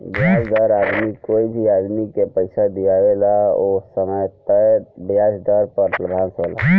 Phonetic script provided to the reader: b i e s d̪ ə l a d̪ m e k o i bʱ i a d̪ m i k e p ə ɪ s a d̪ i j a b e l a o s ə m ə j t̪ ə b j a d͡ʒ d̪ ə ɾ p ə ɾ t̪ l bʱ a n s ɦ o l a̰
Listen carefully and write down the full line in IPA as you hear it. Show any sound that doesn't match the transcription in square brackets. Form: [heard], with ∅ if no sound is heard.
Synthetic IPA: b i [a] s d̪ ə [ɾ] a d̪ m [i] k o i bʱ i a d̪ m i k e p ə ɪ s a d̪ i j a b e l a o s ə m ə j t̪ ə b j a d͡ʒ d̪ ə ɾ p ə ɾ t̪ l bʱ a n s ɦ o l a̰